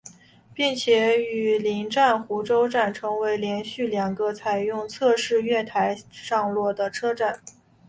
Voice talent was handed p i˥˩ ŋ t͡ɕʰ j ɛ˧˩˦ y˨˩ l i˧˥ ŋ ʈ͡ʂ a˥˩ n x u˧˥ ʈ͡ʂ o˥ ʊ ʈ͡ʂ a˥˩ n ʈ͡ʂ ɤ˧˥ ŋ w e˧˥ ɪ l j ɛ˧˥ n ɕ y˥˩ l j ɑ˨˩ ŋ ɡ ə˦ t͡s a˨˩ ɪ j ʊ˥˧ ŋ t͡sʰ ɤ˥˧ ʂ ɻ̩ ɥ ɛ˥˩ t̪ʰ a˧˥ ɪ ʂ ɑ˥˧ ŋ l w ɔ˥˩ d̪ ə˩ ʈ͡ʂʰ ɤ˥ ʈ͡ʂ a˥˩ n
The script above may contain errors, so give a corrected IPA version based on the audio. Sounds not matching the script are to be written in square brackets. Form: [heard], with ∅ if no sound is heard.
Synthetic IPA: p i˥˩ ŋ t͡ɕʰ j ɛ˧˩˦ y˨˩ l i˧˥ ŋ ʈ͡ʂ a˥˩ n x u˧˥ ʈ͡ʂ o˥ ʊ ʈ͡ʂ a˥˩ n [ʈ͡ʂʰ] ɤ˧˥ ŋ w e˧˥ ɪ l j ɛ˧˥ n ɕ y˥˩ l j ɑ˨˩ ŋ ɡ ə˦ [t͡sʰ] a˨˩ ɪ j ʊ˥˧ ŋ t͡sʰ ɤ˥˧ ʂ ɻ̩ ɥ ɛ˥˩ t̪ʰ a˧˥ ɪ ʂ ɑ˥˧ ŋ l w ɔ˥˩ d̪ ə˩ ʈ͡ʂʰ ɤ˥ ʈ͡ʂ a˥˩ n